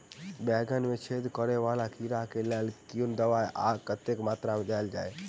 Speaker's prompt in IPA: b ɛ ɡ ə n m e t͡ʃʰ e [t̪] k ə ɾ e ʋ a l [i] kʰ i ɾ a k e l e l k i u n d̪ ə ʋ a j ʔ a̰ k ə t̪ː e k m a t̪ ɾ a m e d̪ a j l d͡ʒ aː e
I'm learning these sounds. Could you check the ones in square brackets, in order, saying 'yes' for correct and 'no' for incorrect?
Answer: no, no

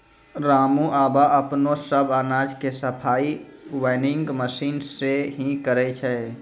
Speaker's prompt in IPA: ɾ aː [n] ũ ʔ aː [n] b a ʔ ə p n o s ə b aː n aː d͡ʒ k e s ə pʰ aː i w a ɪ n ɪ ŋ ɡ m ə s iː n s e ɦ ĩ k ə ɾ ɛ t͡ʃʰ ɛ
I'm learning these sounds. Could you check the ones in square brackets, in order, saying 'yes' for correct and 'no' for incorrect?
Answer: no, no

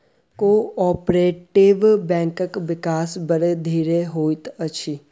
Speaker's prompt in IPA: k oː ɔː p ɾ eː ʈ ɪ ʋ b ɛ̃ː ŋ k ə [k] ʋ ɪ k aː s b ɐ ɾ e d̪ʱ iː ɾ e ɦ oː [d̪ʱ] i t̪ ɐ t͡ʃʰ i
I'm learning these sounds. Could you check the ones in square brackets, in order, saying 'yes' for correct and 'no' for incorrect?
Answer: yes, no

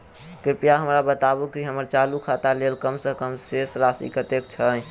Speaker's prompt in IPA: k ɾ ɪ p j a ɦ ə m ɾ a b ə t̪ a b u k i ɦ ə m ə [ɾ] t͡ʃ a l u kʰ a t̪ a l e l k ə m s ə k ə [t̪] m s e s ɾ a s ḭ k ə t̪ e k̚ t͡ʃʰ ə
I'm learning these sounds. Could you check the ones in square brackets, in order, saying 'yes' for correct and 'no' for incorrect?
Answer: yes, no

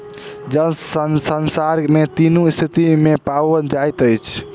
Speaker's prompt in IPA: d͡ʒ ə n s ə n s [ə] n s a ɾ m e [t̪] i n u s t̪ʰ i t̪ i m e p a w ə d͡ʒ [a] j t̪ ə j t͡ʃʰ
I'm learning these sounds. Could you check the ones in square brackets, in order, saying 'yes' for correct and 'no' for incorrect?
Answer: yes, yes, yes

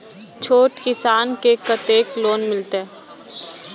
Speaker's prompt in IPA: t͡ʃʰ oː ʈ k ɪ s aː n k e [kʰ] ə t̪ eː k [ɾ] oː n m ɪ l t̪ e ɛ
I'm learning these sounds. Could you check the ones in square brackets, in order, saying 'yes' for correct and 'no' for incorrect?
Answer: no, no

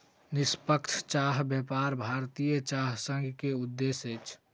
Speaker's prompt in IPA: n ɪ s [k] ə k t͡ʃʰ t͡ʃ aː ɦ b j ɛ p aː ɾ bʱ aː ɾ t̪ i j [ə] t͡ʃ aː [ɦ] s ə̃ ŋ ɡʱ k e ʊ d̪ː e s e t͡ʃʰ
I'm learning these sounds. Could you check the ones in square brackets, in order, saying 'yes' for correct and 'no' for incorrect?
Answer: no, yes, yes

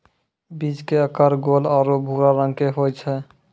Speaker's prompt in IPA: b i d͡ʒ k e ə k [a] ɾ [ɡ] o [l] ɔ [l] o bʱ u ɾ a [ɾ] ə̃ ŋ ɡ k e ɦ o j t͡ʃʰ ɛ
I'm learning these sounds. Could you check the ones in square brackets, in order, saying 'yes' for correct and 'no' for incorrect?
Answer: no, yes, yes, no, yes

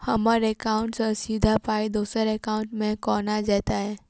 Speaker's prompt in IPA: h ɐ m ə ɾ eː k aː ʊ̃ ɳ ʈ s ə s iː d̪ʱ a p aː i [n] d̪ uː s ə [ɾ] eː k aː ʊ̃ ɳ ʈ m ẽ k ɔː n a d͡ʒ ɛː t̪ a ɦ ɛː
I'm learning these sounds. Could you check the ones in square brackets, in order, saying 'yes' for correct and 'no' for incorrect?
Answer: no, yes

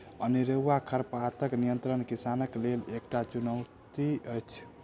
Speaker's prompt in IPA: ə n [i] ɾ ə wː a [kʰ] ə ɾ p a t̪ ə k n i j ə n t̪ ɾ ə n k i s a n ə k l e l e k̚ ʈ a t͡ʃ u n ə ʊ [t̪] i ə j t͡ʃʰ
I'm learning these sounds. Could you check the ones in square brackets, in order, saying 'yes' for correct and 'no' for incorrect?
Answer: yes, yes, yes

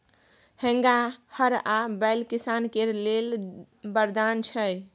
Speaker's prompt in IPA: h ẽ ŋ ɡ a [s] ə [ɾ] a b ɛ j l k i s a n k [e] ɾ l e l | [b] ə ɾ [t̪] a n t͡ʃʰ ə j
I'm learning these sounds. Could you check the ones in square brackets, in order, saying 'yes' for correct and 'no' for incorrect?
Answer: no, yes, yes, yes, no

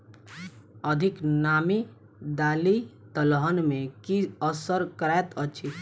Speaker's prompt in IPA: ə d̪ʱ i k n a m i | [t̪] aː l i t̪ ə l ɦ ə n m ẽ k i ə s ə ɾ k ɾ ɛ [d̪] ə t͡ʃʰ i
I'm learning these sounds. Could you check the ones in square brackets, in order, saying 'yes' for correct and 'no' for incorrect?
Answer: no, no

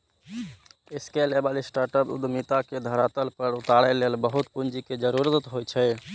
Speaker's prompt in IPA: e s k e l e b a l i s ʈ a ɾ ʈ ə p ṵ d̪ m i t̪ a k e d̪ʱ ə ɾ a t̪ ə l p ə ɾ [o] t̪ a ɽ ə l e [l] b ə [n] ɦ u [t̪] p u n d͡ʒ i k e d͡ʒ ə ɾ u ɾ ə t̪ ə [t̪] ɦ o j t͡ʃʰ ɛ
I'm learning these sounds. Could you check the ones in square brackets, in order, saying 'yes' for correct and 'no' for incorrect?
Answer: no, yes, no, yes, yes

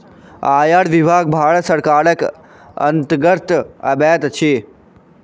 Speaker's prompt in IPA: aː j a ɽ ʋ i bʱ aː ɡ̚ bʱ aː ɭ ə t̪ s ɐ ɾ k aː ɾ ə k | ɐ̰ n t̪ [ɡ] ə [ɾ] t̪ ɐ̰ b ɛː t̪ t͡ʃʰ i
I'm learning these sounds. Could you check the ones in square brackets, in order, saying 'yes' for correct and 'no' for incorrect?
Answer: yes, yes

